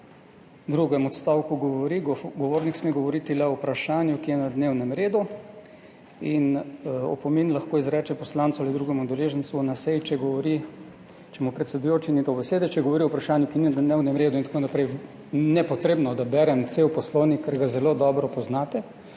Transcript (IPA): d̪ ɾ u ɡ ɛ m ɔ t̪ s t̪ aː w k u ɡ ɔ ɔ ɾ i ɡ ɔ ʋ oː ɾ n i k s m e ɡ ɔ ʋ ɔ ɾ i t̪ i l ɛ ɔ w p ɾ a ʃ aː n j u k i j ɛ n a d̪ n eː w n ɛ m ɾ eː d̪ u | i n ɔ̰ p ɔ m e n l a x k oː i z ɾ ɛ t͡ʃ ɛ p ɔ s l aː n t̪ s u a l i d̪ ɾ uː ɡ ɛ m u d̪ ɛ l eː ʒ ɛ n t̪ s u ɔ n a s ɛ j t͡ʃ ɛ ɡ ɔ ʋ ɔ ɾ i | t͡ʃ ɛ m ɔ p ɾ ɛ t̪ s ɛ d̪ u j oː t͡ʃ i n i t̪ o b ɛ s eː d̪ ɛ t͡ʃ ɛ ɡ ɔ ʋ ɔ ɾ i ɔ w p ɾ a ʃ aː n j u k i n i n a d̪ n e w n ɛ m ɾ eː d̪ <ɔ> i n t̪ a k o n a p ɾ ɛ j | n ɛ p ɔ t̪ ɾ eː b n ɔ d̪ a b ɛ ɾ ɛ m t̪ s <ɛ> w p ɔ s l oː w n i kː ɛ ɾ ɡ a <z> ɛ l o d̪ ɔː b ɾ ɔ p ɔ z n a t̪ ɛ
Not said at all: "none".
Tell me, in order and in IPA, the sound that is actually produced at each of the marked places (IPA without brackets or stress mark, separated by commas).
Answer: u, e, z